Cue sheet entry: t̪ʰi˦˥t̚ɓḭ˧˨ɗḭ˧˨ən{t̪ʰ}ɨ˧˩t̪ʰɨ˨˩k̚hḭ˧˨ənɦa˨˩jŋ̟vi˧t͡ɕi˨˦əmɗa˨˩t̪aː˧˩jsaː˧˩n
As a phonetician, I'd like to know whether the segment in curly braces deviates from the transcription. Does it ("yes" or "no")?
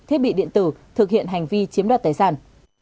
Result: yes